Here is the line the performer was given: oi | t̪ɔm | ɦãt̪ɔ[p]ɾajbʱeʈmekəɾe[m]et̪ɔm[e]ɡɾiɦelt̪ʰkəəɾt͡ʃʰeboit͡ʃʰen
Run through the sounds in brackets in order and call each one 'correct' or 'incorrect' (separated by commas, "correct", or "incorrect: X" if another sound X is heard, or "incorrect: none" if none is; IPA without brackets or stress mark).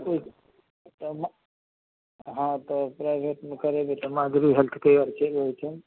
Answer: correct, incorrect: b, incorrect: a